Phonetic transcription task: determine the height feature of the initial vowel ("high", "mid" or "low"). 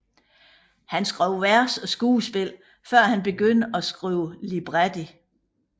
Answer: low